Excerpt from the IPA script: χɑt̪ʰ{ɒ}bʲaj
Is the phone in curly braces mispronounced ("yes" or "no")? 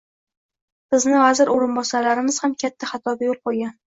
no